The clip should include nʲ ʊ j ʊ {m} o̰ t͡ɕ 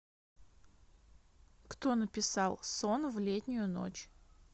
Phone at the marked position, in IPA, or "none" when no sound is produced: n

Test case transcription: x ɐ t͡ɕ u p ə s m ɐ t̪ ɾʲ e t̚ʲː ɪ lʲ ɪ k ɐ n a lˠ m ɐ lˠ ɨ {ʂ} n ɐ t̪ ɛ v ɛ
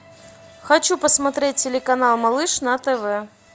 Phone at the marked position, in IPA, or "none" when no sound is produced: ʂ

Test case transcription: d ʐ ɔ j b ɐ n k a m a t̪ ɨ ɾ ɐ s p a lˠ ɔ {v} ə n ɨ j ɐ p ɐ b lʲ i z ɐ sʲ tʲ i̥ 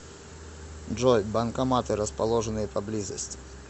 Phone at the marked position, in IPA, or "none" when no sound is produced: ʐ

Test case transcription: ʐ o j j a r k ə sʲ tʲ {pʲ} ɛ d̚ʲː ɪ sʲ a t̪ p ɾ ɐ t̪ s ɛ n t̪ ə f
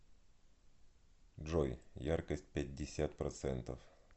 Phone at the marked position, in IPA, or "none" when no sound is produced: pʲ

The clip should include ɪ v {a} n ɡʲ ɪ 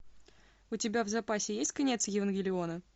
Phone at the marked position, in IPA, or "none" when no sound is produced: ə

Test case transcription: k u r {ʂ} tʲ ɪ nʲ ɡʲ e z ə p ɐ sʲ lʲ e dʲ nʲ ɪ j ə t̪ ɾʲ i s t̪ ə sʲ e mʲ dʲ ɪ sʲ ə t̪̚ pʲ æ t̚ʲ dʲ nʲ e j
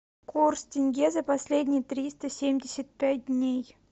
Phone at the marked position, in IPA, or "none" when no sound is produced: s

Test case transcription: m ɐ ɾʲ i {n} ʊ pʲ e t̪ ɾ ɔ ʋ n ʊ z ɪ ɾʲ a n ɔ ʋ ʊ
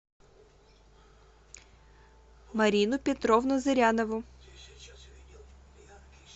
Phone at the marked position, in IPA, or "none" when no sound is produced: n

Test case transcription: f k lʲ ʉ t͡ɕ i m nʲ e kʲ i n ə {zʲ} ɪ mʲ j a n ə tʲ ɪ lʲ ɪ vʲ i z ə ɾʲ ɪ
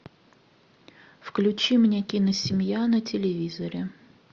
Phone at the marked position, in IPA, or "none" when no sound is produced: sʲ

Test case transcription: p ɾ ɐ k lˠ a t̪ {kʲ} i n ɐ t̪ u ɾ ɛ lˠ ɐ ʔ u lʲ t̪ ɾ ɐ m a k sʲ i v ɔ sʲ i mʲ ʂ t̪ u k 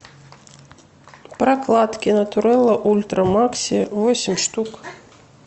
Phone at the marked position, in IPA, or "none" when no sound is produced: kʲ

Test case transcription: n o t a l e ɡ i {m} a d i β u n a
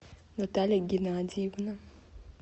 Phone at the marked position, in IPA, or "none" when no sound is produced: n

